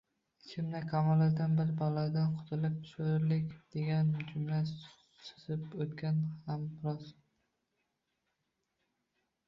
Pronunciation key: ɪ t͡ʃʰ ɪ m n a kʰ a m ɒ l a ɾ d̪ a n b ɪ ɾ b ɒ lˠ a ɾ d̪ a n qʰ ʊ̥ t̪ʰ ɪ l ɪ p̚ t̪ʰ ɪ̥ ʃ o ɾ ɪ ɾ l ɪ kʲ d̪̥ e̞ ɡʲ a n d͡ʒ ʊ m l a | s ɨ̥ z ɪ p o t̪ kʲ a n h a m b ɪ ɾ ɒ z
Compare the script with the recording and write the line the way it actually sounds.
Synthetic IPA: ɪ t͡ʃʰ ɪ m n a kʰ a m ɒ l a ɾ d̪ a n b ɪ ɾ b ɒ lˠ a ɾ d̪ a n qʰ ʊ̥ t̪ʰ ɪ l ɪ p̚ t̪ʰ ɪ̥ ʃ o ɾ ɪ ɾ l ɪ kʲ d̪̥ e̞ ɡʲ a n d͡ʒ ʊ m l a | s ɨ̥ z ɪ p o t̪ kʲ a n h a m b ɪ ɾ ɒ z